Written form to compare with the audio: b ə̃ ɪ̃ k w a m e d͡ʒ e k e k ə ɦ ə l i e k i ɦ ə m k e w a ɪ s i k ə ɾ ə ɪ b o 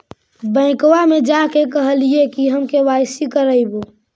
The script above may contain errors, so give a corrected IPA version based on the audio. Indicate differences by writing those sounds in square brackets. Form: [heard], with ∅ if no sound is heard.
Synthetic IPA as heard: b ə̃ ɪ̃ k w a m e d͡ʒ [a] k e k ə ɦ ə l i e k i ɦ ə m k e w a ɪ s i k ə ɾ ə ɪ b o